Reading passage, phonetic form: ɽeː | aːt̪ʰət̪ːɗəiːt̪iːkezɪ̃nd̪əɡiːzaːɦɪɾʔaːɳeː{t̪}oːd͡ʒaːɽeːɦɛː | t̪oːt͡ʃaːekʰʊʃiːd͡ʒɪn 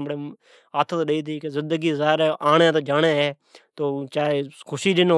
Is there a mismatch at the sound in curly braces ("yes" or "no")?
no